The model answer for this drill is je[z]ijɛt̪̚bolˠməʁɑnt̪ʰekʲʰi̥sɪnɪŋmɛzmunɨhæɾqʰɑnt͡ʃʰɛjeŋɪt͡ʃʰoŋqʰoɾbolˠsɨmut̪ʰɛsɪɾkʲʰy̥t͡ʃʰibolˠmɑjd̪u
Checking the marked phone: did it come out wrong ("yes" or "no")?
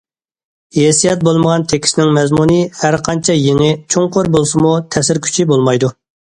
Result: yes